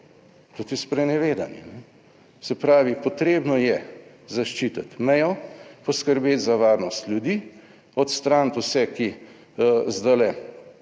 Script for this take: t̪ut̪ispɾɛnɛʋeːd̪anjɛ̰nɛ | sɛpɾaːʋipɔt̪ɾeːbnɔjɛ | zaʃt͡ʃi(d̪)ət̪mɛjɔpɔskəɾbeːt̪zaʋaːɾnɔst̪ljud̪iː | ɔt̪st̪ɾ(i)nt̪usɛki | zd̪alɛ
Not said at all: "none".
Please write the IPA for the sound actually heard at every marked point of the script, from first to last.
t̪, a

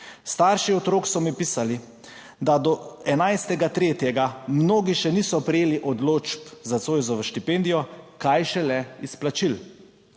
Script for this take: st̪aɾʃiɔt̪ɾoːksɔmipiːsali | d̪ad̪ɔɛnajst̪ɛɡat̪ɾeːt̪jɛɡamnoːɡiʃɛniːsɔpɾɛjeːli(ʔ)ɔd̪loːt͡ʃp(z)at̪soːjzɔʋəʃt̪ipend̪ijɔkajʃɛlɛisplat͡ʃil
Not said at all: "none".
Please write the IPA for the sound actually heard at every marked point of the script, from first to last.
ʔ, z

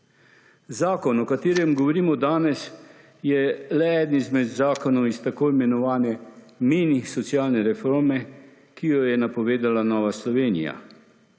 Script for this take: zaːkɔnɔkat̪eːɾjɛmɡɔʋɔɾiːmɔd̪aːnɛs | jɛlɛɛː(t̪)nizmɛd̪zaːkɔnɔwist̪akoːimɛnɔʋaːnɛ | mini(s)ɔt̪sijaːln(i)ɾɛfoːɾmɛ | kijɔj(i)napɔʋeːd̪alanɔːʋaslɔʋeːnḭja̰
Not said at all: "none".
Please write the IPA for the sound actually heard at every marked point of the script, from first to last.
d̪, s, ɛ, ɛ

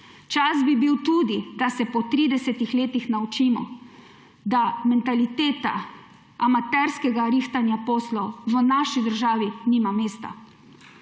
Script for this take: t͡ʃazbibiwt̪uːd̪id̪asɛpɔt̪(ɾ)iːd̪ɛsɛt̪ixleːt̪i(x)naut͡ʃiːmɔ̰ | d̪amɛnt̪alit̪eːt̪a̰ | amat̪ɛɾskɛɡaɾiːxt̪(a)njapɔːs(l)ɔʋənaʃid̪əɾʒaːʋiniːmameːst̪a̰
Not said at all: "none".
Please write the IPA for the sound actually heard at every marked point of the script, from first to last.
ɾ, x, a, l

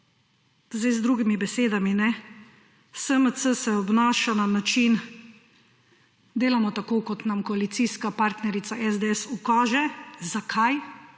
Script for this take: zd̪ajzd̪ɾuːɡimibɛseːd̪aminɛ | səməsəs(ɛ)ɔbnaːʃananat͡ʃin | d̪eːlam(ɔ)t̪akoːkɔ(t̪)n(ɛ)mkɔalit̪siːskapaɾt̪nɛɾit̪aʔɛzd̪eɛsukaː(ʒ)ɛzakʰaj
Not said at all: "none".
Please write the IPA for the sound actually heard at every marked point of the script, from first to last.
ɛ, ɔ, t̪, a, ʒ

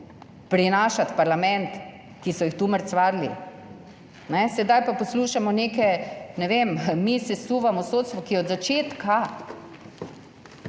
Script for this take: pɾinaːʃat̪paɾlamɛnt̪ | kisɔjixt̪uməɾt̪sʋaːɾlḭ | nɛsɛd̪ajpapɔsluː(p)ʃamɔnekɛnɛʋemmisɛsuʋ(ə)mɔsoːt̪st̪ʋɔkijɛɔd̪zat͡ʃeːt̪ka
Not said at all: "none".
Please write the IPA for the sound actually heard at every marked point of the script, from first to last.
none, a

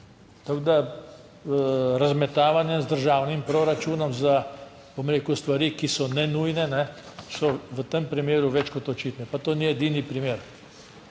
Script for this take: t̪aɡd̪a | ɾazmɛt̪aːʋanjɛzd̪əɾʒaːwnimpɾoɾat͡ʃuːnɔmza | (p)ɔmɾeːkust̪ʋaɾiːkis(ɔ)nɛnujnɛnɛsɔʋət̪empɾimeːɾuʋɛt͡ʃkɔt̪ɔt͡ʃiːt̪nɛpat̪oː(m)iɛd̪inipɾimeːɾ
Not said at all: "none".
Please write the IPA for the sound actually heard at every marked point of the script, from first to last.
b, ɔ, n

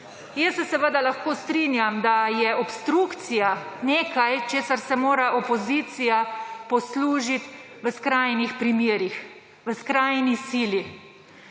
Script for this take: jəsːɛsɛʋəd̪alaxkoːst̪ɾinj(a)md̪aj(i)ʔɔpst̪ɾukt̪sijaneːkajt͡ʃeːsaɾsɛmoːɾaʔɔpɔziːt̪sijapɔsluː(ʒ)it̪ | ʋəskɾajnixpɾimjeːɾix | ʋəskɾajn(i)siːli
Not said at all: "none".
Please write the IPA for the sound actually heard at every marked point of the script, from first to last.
a, ɛ, ʒ, i

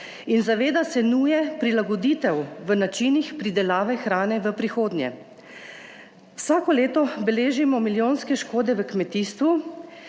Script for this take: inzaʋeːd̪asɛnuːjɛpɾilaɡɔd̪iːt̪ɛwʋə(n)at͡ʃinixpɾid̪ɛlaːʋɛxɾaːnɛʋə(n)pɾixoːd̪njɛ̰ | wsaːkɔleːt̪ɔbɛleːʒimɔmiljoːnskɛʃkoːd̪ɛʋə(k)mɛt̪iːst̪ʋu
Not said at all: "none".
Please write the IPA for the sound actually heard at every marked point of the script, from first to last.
n, none, k

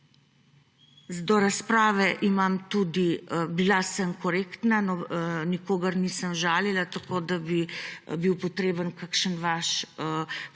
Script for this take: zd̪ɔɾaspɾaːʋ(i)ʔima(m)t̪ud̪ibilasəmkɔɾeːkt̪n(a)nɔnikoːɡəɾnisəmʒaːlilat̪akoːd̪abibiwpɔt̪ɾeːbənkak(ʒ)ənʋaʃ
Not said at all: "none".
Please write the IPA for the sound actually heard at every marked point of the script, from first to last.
ɛ, m, a, ʃ

